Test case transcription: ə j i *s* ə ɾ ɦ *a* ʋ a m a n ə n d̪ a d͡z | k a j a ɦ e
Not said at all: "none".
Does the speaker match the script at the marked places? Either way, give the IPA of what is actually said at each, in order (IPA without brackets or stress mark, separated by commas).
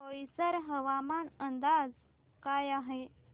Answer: s, ə